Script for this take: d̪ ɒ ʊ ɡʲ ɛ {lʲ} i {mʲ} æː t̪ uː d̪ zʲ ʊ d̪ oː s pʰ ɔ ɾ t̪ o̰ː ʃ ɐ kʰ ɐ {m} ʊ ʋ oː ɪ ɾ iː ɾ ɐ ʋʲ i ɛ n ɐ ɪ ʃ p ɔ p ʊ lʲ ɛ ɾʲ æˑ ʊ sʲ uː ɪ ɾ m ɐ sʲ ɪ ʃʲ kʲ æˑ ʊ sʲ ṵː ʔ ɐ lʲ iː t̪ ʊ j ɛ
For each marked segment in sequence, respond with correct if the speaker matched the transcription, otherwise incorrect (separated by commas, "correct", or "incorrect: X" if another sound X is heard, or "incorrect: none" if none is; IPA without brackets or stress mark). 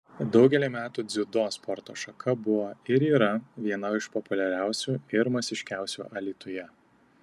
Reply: correct, correct, incorrect: b